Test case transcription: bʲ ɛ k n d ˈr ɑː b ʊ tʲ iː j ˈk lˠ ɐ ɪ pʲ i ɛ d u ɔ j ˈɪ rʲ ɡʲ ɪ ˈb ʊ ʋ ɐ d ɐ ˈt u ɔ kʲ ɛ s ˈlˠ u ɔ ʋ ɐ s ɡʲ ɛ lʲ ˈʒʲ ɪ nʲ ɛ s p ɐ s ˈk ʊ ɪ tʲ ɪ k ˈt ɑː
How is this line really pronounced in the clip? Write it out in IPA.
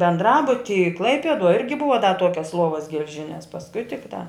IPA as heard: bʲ ɛ n d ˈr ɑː b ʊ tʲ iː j ˈk lˠ ɐ ɪ pʲ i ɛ d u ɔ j ˈɪ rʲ ɡʲ ɪ ˈb ʊ ʋ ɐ d ɐ ˈt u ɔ kʲ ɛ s ˈlˠ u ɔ ʋ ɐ s ɡʲ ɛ lʲ ˈʒʲ ɪ nʲ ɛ s p ɐ s ˈk ʊ ɪ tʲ ɪ k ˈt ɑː

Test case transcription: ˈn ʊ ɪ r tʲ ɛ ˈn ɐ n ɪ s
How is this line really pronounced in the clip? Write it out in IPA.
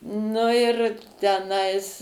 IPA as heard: ˈn ʊ ɪ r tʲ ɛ ˈn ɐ ɪ s

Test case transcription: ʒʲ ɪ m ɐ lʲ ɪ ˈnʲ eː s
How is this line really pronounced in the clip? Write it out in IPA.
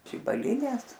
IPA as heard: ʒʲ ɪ b ɐ lʲ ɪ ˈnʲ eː s

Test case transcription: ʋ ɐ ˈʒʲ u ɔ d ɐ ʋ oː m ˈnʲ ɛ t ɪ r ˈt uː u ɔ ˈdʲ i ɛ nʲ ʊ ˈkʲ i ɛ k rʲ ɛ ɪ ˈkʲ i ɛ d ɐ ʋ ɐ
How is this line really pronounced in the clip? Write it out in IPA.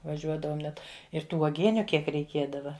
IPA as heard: ʋ ɐ ˈʒʲ u ɔ d ɐ ʋ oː m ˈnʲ ɛ t ɪ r ˈt uː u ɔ ˈɡʲ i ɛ nʲ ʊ ˈkʲ i ɛ k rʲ ɛ ɪ ˈkʲ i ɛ d ɐ ʋ ɐ

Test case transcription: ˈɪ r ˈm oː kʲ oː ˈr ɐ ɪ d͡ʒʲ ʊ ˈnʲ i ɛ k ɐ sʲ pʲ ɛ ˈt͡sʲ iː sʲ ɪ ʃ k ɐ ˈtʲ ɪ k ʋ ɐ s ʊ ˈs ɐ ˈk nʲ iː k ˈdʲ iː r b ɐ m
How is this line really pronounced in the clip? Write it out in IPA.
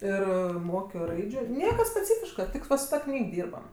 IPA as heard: ˈɪ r ˈm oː kʲ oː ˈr ɐ ɪ d͡ʒʲ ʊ ˈnʲ i ɛ k ɐ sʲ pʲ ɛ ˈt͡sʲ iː fʲ ɪ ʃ k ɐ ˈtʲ ɪ k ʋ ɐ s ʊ ˈt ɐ ˈk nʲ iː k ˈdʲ iː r b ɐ m

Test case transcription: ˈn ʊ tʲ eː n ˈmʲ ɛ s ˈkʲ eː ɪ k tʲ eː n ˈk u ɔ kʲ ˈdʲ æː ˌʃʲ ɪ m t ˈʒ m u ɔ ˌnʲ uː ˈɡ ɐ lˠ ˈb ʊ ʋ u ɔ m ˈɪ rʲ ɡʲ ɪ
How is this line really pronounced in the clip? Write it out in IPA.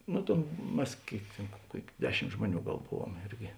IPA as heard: ˈn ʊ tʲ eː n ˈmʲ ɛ s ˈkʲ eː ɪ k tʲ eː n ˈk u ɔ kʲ ˈdʲ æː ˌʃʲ ɪ m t ˈʒ m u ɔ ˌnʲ uː ˈɡ ɐ lˠ ˈb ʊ ʋ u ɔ m ˈɪ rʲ ɡʲ ɪ

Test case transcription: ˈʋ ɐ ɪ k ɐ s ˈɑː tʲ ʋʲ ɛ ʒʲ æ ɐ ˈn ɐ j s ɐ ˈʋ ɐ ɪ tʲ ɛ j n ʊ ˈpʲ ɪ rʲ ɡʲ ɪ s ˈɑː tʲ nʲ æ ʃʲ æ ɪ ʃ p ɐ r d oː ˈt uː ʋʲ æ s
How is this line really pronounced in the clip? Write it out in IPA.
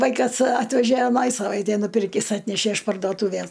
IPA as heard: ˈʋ ɐ ɪ k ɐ s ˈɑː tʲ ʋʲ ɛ ʒʲ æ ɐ ˈn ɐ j s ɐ ˈʋ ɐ ɪ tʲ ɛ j n ʊ ˈpʲ ɪ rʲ kʲ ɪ s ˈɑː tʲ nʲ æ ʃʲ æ ɪ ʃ p ɐ r d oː ˈt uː ʋʲ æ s

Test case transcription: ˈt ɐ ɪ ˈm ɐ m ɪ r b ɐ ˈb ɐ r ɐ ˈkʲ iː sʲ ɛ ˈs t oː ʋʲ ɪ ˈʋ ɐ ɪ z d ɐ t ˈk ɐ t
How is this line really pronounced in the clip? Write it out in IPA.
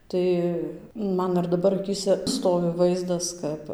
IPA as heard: ˈt ɐ ɪ ˈm ɐ n ɪ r d ɐ ˈb ɐ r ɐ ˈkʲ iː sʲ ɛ ˈs t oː ʋʲ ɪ ˈʋ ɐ ɪ z d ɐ s ˈk ɐ p

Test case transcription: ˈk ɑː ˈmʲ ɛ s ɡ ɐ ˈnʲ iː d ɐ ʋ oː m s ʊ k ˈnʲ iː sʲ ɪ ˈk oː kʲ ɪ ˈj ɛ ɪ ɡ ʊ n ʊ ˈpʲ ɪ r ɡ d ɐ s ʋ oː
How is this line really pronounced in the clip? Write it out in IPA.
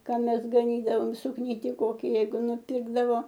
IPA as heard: ˈk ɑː ˈmʲ ɛ s ɡ ɐ ˈnʲ iː d ɐ ʋ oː m s ʊ k ˈnʲ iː tʲ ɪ ˈk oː kʲ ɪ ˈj ɛ ɪ ɡ ʊ n ʊ ˈpʲ ɪ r ɡ d ɐ ʋ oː

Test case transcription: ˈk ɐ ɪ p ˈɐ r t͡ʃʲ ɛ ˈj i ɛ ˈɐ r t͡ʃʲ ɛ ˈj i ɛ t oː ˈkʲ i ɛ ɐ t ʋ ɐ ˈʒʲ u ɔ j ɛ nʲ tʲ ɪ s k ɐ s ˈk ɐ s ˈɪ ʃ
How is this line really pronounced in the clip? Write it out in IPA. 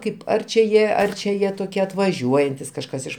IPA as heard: ˈk ɐ ɪ p ˈɐ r t͡ʃʲ ɛ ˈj i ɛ ˈɐ r t͡ʃʲ ɛ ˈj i ɛ t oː ˈkʲ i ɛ ɐ t ʋ ɐ ˈʒʲ u ɔ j ɛ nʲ tʲ ɪ s k ɐ ʃ ˈk ɐ s ˈɪ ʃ

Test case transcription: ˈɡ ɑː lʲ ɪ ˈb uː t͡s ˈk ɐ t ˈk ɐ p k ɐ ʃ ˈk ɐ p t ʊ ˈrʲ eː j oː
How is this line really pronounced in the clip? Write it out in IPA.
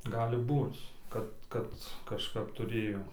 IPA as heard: ˈɡ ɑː lʲ ɪ ˈb uː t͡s ˈk ɐ t ˈk ɐ t k ɐ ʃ ˈk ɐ p t ʊ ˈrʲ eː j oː

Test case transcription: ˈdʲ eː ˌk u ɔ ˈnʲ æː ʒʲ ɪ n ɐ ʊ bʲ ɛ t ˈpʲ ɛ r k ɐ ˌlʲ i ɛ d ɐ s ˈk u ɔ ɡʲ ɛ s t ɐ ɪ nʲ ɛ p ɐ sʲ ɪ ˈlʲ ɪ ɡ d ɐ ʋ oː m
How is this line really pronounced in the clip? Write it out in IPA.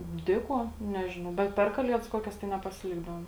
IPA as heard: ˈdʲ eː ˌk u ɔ ˈnʲ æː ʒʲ ɪ n ɐ ʊ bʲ ɛ t ˈpʲ ɛ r k ɐ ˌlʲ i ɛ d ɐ s ˈk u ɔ kʲ ɛ s t ɐ ɪ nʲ ɛ p ɐ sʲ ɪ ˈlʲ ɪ ɡ d ɐ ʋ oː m

